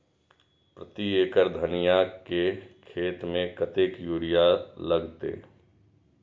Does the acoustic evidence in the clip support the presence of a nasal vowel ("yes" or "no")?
yes